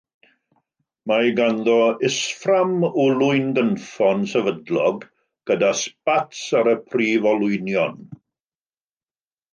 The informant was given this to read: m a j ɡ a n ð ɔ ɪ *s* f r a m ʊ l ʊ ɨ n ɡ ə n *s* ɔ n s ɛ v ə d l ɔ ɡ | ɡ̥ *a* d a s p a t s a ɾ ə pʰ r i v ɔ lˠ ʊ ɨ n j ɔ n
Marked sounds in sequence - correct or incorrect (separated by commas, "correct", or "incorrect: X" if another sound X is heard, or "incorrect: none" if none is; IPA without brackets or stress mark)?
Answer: correct, incorrect: f, incorrect: ə